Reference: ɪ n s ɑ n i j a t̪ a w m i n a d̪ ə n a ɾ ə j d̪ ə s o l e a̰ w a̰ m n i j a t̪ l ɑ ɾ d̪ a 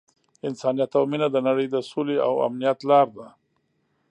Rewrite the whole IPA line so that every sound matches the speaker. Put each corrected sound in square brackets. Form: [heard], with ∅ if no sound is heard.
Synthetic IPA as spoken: ɪ n s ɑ n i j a t̪ a w m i n a d̪ ə n a [ɽ] ə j d̪ ə s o l e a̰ w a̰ m n i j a t̪ l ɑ ɾ d̪ a